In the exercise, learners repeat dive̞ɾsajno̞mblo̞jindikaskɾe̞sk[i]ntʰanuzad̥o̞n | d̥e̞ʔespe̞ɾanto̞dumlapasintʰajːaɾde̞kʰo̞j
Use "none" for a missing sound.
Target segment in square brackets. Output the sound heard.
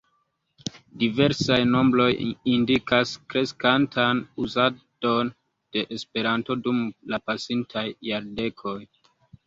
a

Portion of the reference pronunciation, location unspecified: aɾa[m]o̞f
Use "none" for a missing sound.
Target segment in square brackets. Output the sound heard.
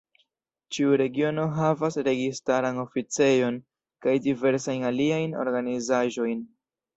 n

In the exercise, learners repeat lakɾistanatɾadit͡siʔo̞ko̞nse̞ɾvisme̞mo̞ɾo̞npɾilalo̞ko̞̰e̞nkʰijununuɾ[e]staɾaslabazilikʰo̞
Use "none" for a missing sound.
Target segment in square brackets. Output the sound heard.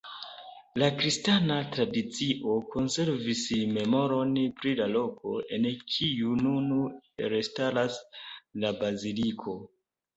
e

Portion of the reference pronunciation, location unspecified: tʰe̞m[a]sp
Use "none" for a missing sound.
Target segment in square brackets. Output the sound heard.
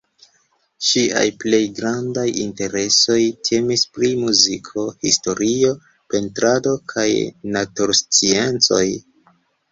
i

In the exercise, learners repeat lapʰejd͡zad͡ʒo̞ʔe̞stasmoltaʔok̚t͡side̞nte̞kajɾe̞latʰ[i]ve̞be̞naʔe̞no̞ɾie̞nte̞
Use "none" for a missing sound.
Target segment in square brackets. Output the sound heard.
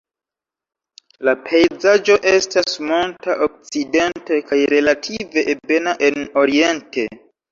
i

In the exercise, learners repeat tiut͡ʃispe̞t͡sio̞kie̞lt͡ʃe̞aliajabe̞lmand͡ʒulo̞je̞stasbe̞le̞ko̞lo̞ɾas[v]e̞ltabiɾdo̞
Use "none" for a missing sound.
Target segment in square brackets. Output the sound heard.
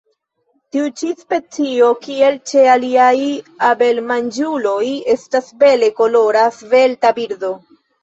v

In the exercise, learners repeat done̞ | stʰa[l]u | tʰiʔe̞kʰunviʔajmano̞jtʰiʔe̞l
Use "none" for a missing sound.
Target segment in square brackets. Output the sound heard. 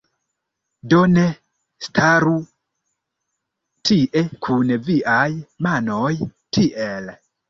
ɾ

